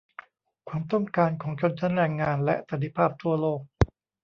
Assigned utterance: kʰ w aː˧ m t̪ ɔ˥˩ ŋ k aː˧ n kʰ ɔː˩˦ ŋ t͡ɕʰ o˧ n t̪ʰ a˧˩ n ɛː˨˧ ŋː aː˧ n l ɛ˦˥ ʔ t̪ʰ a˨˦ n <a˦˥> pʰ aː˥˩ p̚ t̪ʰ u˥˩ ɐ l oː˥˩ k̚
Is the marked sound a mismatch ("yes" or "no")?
yes